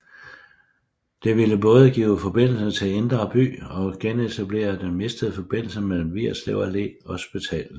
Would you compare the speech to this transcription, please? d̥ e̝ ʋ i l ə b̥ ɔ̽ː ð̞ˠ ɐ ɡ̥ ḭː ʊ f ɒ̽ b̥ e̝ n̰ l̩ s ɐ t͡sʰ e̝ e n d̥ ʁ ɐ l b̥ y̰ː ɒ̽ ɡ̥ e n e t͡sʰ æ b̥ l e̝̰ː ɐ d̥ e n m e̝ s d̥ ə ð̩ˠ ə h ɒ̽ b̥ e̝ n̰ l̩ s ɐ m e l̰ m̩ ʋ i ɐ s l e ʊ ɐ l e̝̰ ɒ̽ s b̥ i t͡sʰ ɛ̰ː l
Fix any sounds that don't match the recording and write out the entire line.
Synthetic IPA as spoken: d̥ e̝ ʋ i l ə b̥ ɔ̽ː ð̞ˠ ə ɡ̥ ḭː ʊ f ɒ̽ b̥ e̝ n̰ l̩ s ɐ t͡sʰ e̝ e n d̥ ʁ ɐ b̥ y̰ː ɒ̽ ɡ̥ e n e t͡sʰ æ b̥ l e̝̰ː ɐ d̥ e n m e̝ s d̥ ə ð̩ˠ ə f ɒ̽ b̥ e̝ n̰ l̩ s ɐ m e l̰ m̩ ʋ i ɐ s l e ʊ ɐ l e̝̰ ɒ̽ s b̥ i t͡sʰ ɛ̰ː l

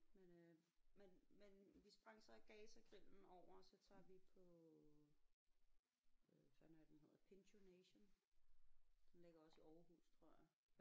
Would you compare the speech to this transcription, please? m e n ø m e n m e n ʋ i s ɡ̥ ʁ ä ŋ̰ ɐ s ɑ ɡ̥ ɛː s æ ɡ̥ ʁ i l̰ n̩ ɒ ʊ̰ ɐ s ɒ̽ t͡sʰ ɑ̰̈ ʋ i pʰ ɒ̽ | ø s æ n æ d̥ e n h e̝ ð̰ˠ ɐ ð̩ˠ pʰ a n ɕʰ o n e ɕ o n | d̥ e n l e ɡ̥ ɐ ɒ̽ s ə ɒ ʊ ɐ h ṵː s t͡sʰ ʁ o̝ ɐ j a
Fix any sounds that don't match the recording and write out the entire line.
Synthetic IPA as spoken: m e n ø m e n m e n ʋ i s b̥ ʁ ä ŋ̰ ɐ s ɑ ɡ̥ ɛː s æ ɡ̥ ʁ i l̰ n̩ ɒ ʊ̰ ɐ s ɒ̽ t͡sʰ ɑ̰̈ ʋ i pʰ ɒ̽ | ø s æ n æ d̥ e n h e̝ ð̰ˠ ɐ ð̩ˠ pʰ e n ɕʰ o n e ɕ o n | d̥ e n l e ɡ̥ ɐ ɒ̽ s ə ɒ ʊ ɐ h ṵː s t͡sʰ ʁ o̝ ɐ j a

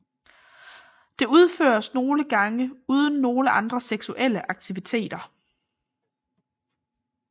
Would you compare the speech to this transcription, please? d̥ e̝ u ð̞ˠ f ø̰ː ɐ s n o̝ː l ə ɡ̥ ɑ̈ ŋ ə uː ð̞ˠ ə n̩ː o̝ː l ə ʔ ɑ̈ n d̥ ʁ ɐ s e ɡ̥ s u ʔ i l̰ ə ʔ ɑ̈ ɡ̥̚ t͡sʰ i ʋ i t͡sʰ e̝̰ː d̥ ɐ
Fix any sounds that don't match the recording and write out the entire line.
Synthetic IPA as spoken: d̥ e̝ u ð̞ˠ f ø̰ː ɐ s n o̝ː l ə ɡ̥ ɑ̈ ŋ ə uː ð̞ˠ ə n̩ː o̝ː l ə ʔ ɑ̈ n d̥ ʁ ɐ s e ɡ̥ s u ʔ e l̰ ə ʔ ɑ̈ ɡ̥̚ t͡sʰ i ʋ i t͡sʰ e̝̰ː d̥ ɐ

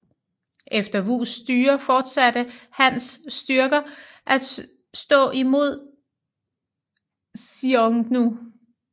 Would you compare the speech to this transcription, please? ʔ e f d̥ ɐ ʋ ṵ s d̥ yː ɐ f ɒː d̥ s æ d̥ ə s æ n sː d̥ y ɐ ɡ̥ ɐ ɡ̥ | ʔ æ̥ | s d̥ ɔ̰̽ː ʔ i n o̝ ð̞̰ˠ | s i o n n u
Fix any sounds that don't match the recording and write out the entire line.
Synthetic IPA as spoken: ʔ e f d̥ ɐ ʋ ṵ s d̥ yː ɐ f ɒː d̥ s æ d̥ ə h æ n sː d̥ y ɐ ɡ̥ ɐ | ʔ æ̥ | s d̥ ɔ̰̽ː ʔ i m o̝ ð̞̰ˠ | s i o ŋ n u

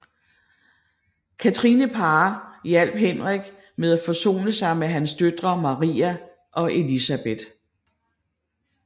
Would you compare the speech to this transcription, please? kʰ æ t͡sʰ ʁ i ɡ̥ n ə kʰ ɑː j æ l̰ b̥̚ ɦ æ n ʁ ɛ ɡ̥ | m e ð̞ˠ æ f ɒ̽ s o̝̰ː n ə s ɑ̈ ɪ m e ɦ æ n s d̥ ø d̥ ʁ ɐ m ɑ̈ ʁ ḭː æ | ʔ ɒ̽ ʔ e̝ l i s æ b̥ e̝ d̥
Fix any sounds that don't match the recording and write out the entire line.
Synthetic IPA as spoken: kʰ æ t͡sʰ ʁ i n ə pʰ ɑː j æ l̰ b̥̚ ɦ e n ʁ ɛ ɡ̥ | m e ð̞ˠ æ f ɒ̽ s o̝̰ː n ə s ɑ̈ ɪ m e ɦ æ n s d̥ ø d̥ ʁ ɐ m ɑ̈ ʁ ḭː æ | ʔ ɒ̽ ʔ e̝ l i s æ b̥ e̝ d̥

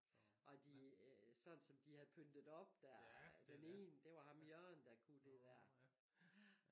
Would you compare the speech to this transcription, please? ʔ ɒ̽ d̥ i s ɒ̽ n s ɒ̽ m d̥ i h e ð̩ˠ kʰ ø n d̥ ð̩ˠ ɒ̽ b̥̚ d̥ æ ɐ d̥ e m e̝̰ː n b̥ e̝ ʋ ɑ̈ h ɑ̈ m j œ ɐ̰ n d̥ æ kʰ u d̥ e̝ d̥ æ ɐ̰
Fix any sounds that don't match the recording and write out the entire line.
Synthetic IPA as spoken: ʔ ɒ̽ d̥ i s ɒ̽ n s ɒ̽ m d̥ i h æ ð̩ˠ pʰ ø n d̥ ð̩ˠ ɒ̽ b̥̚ d̥ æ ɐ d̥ e n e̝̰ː n d̥ e̝ ʋ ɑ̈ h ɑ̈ m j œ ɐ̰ n d̥ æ kʰ u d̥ e̝ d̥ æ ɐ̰

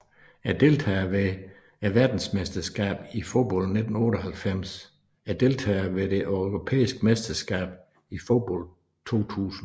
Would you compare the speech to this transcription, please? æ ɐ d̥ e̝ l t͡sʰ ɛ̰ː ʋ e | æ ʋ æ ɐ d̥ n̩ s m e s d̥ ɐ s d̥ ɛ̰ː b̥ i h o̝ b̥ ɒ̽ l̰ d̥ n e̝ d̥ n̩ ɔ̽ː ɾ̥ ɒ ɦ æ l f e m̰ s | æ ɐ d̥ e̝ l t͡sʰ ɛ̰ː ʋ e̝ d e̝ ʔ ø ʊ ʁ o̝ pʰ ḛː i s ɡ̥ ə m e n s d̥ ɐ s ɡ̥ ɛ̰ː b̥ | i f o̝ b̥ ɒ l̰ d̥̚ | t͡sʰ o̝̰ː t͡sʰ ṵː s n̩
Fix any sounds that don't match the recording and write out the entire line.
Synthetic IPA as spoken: æ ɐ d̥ e̝ l t͡sʰ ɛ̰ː ʋ e | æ ʋ æ ɐ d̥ n̩ s m e s d̥ ɐ s ɡ̥ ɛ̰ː b̥ i f o̝ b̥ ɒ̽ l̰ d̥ n e̝ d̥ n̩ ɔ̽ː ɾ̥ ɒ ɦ æ l f e m̰ s | æ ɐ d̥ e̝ l t͡sʰ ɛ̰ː ʋ e̝ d e̝ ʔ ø ʊ ʁ o̝ pʰ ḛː i s ɡ̥ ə m e s d̥ ɐ s ɡ̥ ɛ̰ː b̥ | i f o̝ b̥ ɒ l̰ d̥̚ | t͡sʰ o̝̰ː t͡sʰ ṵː s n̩

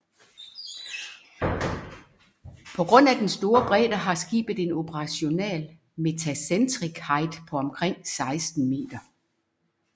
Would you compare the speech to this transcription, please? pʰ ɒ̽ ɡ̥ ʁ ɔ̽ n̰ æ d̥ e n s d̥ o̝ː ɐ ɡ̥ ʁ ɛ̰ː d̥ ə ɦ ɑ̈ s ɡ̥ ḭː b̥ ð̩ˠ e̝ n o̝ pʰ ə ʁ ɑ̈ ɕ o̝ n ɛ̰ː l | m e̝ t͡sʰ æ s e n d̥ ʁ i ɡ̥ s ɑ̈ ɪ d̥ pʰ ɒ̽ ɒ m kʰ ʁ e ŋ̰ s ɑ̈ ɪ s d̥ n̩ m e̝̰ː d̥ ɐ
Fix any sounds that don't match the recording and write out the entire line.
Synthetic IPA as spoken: pʰ ɒ̽ ɡ̥ ʁ ɔ̽ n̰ æ d̥ e n s d̥ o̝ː ɐ b̥ ʁ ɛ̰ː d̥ ɐ ɦ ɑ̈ s ɡ̥ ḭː b̥ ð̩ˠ e̝ n o̝ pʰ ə ʁ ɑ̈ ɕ o̝ n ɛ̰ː l | m e̝ t͡sʰ æ s e n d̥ ʁ i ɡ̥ h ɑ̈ ɪ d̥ pʰ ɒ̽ ɒ m kʰ ʁ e ŋ̰ s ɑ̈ ɪ s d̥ n̩ m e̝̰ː d̥ ɐ

